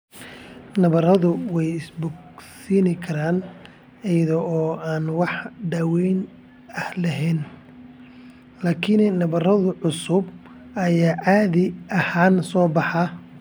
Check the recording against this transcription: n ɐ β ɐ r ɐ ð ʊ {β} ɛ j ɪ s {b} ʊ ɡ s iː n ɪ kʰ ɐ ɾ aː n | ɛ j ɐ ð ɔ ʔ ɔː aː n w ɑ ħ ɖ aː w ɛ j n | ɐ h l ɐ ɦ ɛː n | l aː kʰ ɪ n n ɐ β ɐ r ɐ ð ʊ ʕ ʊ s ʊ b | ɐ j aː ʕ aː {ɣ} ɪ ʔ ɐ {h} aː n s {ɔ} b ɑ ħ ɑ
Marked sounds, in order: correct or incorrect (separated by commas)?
incorrect, correct, incorrect, correct, incorrect